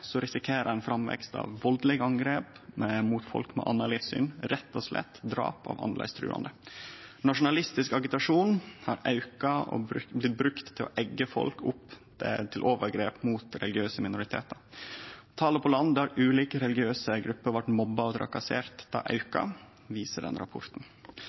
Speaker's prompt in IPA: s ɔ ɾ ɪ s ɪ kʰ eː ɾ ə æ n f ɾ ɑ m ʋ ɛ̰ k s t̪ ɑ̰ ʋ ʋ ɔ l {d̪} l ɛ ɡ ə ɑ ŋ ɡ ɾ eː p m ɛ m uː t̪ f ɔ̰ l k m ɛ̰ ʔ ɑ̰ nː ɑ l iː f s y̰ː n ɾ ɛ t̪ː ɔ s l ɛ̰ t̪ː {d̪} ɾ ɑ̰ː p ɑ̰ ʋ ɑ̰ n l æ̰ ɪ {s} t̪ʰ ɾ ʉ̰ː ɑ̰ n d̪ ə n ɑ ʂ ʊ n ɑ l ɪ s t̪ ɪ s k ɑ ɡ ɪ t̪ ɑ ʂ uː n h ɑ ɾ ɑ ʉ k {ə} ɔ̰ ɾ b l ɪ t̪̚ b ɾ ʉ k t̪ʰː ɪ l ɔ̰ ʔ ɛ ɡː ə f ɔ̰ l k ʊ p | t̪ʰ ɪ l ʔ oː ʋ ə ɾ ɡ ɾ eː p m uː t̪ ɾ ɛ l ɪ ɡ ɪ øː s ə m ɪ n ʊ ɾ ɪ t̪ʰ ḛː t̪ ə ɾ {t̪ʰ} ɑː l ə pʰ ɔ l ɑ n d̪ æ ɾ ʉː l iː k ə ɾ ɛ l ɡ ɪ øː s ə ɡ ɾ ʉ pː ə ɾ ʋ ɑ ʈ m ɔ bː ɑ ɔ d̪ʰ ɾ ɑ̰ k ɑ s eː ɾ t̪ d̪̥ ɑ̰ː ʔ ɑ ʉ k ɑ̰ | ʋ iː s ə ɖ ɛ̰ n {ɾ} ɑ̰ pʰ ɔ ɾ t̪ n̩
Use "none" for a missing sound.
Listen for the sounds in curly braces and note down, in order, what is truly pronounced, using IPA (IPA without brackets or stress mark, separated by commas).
d̪, d̪, s, ɑ, t̪ʰ, ɾ